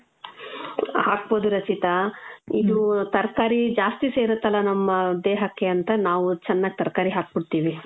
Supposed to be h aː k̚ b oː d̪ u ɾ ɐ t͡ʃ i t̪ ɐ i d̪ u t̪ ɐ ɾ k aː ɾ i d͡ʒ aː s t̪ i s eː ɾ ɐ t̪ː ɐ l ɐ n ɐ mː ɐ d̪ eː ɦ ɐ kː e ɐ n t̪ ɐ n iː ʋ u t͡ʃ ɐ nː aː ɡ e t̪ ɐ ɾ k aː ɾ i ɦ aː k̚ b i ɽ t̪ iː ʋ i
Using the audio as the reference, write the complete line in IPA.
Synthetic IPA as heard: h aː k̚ b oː d̪ u ɾ ɐ t͡ʃ i t̪ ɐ i d̪ u t̪ ɐ ɾ k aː ɾ i d͡ʒ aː s t̪ i s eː ɾ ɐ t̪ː ɐ l ɐ n ɐ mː ɐ d̪ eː ɦ ɐ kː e ɐ n t̪ ɐ n aː ʋ u t͡ʃ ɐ nː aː ɡ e t̪ ɐ ɾ k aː ɾ i ɦ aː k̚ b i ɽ t̪ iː ʋ i